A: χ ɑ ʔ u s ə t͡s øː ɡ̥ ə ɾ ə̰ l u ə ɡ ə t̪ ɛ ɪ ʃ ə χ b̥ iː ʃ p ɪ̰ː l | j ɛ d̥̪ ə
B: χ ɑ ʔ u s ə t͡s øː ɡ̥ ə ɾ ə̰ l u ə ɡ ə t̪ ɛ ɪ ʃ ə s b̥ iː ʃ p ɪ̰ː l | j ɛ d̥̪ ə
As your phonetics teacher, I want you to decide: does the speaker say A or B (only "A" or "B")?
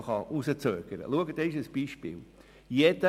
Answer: B